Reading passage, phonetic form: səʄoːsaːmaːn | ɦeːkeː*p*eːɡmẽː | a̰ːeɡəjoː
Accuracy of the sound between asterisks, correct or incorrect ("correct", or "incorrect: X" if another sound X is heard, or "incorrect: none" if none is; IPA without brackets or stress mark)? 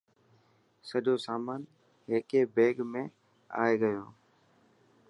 incorrect: b